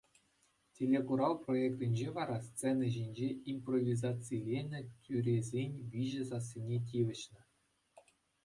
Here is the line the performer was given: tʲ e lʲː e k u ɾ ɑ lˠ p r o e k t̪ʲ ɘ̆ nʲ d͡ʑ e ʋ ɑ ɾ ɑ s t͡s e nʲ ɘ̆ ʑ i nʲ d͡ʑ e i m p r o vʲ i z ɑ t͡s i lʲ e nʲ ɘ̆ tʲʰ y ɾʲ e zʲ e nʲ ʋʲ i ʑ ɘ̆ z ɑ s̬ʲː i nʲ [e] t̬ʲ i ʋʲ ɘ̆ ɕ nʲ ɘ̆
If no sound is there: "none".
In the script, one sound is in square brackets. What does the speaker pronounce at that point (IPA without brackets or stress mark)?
e